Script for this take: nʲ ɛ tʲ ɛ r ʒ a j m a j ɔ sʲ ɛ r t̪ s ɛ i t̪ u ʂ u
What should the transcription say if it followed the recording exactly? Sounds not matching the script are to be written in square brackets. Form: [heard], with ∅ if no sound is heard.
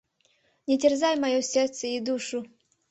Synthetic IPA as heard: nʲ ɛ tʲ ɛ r [z] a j m a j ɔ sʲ ɛ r t̪ s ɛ i [d̪] u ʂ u